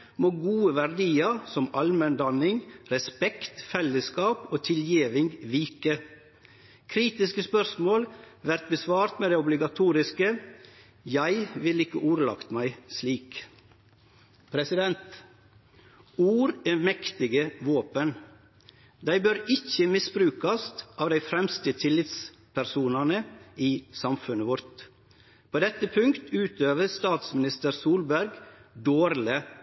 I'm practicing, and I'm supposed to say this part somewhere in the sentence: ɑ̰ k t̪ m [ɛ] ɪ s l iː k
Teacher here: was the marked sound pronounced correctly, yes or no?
no